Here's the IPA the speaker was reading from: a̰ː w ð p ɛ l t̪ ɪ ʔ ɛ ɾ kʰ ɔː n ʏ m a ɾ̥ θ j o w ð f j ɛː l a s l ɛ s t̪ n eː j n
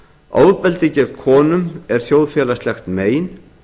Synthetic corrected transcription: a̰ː w ð p ɛ l t̪ ɪ c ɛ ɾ kʰ ɔː n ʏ m ɛ ɾ̥ θ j o w ð f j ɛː l a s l ɛ x t̪ m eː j n